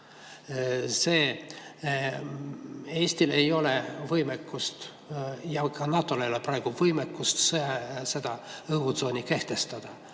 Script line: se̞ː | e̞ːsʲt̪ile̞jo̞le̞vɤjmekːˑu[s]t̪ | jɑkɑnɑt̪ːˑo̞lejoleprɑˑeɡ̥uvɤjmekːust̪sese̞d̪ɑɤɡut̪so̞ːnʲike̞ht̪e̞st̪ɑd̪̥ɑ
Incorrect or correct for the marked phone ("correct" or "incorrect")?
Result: correct